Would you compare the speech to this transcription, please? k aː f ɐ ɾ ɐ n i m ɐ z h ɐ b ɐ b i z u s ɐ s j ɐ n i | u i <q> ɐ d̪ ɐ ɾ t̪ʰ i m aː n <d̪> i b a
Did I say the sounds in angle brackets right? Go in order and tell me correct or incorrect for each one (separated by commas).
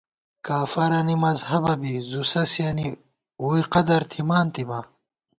correct, incorrect